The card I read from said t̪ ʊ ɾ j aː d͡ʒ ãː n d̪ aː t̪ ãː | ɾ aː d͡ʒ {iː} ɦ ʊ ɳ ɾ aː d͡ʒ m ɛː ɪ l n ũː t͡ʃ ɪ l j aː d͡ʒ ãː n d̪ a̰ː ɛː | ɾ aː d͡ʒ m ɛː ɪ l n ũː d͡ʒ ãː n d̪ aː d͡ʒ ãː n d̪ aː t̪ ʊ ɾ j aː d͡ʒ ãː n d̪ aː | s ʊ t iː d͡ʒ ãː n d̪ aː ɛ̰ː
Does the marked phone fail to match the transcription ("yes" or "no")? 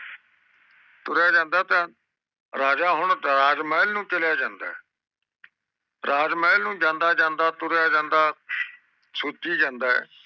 yes